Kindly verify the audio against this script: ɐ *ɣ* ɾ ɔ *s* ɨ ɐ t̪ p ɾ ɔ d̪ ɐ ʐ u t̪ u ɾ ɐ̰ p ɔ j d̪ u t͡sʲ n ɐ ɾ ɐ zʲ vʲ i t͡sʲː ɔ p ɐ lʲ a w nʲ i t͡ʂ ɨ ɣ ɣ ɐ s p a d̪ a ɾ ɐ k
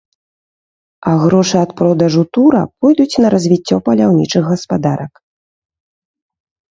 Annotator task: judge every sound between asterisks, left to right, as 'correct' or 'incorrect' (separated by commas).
correct, incorrect